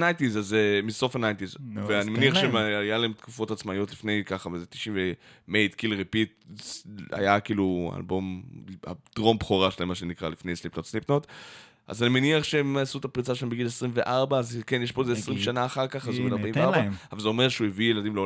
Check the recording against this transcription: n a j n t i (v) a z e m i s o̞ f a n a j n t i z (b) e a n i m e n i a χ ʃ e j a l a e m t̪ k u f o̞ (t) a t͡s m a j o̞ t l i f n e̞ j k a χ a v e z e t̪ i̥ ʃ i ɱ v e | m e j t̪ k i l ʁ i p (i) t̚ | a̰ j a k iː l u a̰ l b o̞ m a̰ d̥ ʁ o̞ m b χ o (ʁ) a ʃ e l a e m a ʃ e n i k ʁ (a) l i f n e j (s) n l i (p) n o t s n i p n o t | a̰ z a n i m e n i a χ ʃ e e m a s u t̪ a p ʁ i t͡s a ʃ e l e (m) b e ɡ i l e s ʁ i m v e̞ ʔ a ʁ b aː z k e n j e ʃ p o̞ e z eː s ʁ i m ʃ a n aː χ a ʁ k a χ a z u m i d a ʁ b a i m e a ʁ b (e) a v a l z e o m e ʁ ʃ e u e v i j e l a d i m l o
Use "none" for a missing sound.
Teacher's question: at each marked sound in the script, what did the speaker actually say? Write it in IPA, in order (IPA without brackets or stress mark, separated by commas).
z, v, t, i, ʁ, a, s, p, m, a